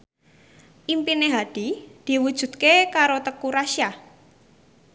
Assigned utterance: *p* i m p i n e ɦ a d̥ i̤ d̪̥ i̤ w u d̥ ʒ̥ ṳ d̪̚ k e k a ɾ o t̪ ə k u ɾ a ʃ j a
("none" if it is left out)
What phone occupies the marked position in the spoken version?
ʔ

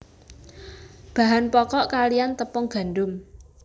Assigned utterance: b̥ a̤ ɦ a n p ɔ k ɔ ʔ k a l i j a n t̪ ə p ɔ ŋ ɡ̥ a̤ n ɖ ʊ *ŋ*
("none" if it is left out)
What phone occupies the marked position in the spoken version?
m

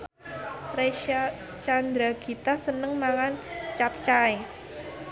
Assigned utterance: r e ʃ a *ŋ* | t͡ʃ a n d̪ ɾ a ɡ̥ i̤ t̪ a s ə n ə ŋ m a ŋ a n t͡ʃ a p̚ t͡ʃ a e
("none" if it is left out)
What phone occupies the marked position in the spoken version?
none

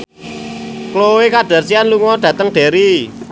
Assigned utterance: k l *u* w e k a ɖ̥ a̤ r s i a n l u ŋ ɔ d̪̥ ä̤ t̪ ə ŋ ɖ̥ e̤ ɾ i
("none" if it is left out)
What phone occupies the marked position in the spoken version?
o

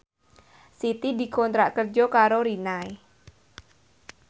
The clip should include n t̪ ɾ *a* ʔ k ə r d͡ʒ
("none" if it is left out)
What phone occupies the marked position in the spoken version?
a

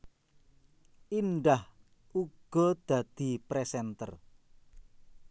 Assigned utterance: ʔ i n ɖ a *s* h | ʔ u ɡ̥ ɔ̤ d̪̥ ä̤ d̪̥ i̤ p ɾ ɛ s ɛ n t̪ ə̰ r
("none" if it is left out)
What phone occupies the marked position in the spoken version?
none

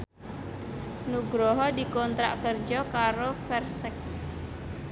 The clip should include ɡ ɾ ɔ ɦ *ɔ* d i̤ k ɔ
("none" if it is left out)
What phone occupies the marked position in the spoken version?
ɔ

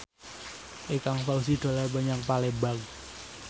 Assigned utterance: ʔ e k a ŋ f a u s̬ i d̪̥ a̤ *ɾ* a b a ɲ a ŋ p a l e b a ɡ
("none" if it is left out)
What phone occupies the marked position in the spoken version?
l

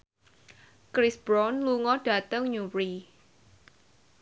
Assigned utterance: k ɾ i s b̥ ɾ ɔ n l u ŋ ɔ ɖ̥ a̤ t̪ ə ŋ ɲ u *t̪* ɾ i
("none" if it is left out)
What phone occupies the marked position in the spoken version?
none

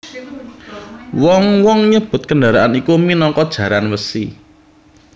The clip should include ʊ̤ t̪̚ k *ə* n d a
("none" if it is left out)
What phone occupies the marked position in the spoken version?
ə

